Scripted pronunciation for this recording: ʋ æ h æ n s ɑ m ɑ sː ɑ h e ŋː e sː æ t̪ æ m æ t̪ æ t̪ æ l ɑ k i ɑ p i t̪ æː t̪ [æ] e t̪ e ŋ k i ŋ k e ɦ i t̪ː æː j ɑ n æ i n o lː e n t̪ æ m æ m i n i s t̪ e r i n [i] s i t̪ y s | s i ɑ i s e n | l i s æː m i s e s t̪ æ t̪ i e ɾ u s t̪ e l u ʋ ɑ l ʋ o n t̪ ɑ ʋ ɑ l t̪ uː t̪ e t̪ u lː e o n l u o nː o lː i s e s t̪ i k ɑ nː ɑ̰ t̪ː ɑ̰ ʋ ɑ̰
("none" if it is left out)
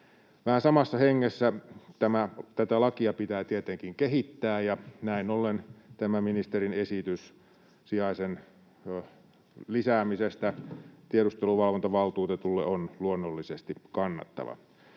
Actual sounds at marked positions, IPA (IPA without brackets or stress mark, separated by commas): i, e